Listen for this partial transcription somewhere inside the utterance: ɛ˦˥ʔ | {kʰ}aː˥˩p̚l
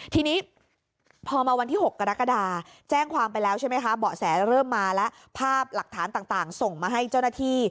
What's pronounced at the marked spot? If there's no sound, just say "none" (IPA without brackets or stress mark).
pʰ